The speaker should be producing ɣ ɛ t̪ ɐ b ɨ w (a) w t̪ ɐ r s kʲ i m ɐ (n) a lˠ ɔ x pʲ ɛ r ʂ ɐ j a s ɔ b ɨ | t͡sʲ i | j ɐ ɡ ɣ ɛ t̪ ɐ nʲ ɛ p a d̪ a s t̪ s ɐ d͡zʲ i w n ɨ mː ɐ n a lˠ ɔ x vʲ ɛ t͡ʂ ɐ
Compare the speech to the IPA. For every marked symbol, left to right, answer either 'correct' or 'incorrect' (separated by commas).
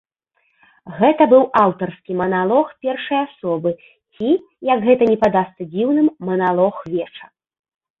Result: correct, correct